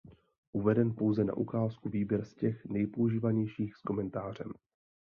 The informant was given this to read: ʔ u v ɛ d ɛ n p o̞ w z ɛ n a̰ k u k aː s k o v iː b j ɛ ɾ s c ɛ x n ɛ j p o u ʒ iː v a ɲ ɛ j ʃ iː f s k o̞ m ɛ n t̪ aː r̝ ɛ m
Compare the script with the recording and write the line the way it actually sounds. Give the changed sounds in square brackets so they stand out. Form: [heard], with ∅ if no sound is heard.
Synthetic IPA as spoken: ʔ u v ɛ d ɛ n p o̞ w z ɛ n a̰ [ʔ] u k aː s k [u] v iː b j ɛ ɾ s c ɛ x n ɛ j p o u ʒ iː v a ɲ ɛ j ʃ iː [x] s k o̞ m ɛ n t̪ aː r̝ ɛ m